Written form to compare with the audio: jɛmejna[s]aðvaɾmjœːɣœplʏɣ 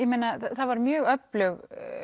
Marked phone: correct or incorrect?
incorrect: θ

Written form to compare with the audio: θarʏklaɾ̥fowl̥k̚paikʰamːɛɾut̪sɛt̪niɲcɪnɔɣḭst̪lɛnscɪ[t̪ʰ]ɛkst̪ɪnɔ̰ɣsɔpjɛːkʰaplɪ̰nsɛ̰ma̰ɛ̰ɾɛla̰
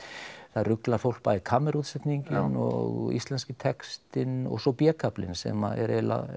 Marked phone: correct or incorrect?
correct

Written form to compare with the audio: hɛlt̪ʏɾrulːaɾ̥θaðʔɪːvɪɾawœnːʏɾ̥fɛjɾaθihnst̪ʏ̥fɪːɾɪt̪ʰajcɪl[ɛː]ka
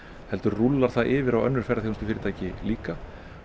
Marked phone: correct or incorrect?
incorrect: iː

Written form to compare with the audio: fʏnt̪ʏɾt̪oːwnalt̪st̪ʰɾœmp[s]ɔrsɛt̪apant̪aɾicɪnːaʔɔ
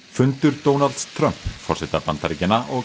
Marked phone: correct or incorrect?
incorrect: f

